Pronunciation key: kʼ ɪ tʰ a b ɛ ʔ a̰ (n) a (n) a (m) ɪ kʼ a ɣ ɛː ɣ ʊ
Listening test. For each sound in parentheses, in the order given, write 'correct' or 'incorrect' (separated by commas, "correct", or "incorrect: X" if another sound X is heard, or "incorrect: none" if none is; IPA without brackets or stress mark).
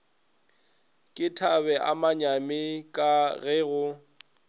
incorrect: m, incorrect: ɲ, correct